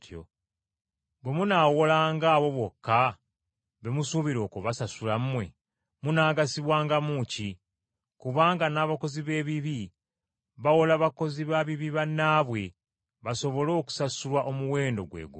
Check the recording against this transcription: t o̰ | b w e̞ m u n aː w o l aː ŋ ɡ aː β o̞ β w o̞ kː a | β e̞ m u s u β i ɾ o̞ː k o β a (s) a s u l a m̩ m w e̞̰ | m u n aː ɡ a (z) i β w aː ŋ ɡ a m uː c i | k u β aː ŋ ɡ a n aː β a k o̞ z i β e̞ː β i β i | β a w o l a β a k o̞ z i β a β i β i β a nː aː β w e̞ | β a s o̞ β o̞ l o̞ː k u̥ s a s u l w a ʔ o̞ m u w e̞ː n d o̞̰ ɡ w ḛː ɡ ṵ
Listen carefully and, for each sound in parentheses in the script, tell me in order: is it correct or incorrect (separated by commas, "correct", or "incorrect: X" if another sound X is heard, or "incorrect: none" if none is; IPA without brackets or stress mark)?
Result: correct, incorrect: s